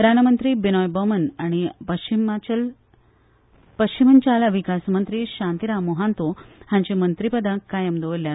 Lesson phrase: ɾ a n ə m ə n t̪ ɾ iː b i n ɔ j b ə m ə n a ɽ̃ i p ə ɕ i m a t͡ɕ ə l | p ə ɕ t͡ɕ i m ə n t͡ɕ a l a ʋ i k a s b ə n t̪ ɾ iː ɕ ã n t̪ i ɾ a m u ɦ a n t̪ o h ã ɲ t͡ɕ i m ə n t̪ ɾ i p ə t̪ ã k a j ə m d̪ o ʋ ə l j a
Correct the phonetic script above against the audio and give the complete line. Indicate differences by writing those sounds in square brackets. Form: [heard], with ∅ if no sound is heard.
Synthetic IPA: ɾ a n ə m ə n t̪ ɾ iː b i n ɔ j b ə m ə n a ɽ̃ i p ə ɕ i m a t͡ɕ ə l | p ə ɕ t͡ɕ i m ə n t͡ɕ a l a ʋ i k a s [m] ə n t̪ ɾ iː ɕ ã n t̪ i ɾ a m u ɦ a n t̪ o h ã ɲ t͡ɕ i m ə n t̪ ɾ i p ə [d̪] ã k a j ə m d̪ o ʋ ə l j a